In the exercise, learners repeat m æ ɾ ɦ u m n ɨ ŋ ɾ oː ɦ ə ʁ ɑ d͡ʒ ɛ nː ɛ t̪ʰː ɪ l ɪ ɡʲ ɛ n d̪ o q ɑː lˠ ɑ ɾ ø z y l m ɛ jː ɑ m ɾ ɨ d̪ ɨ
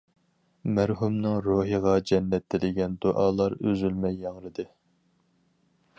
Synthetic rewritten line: m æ ɾ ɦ u m n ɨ ŋ ɾ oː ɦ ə ʁ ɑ d͡ʒ ɛ nː ɛ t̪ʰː ɪ l ɪ ɡʲ ɛ n d̪ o ʔ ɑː lˠ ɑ ɾ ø z y l m ɛ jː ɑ ŋ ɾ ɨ d̪ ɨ

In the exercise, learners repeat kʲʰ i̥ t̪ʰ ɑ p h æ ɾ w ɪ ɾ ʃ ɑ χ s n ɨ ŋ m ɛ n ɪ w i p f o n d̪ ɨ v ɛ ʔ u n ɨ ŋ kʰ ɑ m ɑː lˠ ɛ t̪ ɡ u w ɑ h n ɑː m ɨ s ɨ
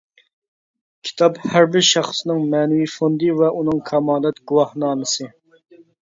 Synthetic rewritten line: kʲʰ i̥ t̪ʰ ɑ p h æ ɾ b ɪ ɾ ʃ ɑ χ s n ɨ ŋ m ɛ n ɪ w i f o n d̪ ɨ v ɛ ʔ u n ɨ ŋ kʰ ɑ m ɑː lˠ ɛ t̪ ɡ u w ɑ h n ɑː m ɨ s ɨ

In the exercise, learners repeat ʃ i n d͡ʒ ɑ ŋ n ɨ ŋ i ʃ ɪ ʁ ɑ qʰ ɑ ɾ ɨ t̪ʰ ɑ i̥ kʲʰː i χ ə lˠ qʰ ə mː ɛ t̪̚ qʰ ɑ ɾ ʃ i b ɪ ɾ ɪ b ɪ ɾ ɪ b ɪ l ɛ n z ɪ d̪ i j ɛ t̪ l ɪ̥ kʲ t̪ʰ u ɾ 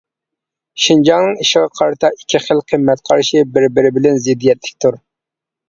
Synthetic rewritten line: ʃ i n d͡ʒ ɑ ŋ n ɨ ŋ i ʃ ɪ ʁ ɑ qʰ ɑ ɾ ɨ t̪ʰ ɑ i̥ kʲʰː i χ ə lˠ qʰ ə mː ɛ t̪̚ qʰ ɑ ɾ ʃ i b ɪ ɾ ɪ b ɪ ɾ ɪ b ɪ l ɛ n z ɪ d̪ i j ɛ t̪ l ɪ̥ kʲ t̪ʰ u ɾ

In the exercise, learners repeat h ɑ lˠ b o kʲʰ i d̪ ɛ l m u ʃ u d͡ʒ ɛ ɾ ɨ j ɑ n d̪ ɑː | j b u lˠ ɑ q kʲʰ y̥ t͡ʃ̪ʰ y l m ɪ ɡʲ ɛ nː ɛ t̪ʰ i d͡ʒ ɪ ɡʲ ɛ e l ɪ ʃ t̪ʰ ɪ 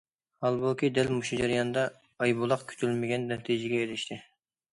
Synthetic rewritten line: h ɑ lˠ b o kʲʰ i d̪ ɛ l m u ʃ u d͡ʒ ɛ ɾ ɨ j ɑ n d̪ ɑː | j b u lˠ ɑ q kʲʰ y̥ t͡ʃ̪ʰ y l m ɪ ɡʲ ɛ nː ɛ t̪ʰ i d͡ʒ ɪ ɡʲ ɛ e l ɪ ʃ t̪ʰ ɪ

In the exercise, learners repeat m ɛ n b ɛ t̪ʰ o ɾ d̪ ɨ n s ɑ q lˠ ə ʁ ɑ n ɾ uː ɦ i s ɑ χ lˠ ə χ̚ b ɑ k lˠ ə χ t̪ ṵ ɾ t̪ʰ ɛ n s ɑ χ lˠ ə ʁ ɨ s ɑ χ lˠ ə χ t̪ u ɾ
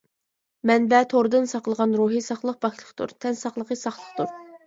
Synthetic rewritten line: m ɛ n b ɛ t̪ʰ o ɾ d̪ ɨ n s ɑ q lˠ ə ʁ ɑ n ɾ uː ɦ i s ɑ χ lˠ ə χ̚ b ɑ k lˠ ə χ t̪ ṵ ɾ t̪ʰ ɛ n s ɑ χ lˠ ə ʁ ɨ s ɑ χ lˠ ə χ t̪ u ɾ

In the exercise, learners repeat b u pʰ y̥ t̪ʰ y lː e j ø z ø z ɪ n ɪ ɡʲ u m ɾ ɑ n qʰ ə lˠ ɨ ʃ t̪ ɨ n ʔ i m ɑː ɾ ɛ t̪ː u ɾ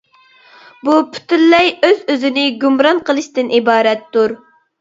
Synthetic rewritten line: b u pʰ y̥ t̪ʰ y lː ɛ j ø z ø z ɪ n ɪ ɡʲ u m ɾ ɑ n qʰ ə lˠ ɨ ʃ t̪ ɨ n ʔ i b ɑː ɾ ɛ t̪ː u ɾ

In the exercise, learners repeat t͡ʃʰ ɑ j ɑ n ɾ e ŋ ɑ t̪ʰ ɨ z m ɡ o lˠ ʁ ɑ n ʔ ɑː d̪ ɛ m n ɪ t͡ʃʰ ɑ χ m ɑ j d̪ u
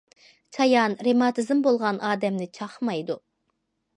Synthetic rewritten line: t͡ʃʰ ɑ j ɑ n ɾ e m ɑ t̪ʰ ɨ z m b o lˠ ʁ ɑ n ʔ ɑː d̪ ɛ m n ɪ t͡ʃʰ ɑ χ m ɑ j d̪ u

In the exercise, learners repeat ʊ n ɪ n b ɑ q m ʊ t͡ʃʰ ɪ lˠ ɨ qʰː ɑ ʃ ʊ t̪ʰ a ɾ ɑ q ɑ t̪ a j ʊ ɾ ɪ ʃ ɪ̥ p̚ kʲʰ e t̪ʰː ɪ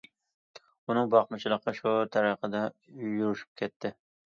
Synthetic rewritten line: ʊ n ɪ ŋ b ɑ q m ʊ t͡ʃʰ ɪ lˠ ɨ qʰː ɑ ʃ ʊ t̪ʰ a ɾ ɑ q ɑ d̪ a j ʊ ɾ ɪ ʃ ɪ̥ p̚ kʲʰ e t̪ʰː ɪ

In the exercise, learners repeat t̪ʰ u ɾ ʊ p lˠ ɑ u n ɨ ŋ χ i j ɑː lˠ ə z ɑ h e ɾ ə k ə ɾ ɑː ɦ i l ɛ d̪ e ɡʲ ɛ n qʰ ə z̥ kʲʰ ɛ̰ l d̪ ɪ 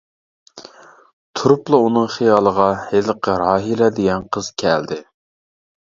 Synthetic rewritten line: t̪ʰ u ɾ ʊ p lˠ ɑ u n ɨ ŋ χ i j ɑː lˠ ə ʁ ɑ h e l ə q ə ɾ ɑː ɦ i l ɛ d̪ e ɡʲ ɛ n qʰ ə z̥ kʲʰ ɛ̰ l d̪ ɪ

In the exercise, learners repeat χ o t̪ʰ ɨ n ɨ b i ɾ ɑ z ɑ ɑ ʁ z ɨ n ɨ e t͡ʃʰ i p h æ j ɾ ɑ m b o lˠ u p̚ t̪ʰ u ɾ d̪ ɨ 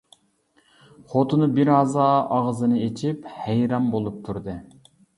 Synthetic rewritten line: χ o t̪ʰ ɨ n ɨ b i ɾ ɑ z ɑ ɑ ʁ z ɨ n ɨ e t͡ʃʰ i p h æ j ɾ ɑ m b o lˠ u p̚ t̪ʰ u ɾ d̪ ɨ

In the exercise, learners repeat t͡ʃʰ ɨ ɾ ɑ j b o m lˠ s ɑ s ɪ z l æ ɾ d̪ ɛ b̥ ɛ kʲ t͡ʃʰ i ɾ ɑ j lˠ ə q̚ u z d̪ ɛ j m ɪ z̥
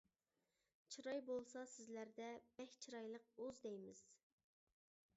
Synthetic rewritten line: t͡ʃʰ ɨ ɾ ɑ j b o lˠ s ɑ s ɪ z l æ ɾ d̪ ɛ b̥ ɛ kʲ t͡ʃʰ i ɾ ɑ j lˠ ə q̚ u z d̪ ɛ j m ɪ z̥

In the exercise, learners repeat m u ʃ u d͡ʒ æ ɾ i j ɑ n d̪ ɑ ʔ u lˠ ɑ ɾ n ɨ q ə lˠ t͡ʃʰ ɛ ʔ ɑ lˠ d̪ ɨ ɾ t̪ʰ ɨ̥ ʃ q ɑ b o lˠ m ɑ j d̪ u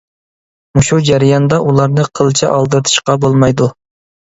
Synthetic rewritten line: m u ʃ u d͡ʒ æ ɾ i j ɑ n d̪ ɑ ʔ u lˠ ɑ ɾ n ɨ qʰ ə lˠ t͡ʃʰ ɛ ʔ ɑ lˠ d̪ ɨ ɾ t̪ʰ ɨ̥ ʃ q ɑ b o lˠ m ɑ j d̪ u

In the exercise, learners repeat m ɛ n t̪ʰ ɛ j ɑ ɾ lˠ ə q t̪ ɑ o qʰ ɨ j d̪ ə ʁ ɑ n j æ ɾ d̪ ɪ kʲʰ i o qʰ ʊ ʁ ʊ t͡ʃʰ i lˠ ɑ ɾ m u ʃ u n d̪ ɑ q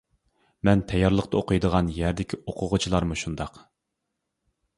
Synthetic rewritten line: m ɛ n t̪ʰ ɛ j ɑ ɾ lˠ ə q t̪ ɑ o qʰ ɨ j d̪ ə ʁ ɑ n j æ ɾ d̪ ɪ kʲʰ i o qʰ ʊ ʁ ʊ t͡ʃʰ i lˠ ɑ ɾ m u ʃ u n d̪ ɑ q

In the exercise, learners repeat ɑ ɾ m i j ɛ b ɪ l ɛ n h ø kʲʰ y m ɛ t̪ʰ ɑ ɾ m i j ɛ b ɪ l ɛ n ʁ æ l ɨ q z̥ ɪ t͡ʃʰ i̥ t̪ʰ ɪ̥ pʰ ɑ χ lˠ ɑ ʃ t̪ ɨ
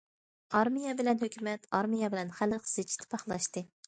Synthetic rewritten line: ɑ ɾ m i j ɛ b ɪ l ɛ n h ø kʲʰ y m ɛ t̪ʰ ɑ ɾ m i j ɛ b ɪ l ɛ n χ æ l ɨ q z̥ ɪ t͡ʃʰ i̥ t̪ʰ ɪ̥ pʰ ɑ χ lˠ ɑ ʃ t̪ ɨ

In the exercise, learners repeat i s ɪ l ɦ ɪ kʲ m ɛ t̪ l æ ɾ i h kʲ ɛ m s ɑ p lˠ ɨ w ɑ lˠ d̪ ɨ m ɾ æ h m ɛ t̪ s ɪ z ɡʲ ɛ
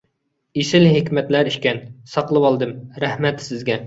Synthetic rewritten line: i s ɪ l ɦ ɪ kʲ m ɛ t̪ l æ ɾ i ʃ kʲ ɛ n s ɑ q lˠ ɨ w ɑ lˠ d̪ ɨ m ɾ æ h m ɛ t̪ s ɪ z ɡʲ ɛ

